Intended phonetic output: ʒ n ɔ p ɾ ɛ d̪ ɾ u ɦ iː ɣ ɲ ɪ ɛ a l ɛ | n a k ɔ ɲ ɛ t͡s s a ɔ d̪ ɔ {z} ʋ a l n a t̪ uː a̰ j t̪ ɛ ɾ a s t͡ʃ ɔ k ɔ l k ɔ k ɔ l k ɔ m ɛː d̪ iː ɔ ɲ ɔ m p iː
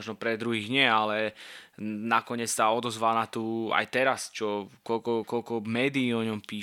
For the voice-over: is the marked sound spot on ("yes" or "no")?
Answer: yes